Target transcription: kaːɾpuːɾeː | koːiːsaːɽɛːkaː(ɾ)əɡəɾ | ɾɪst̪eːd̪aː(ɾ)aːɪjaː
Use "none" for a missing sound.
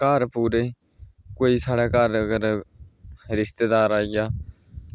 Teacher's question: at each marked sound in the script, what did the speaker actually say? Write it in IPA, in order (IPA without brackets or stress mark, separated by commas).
ɾ, ɾ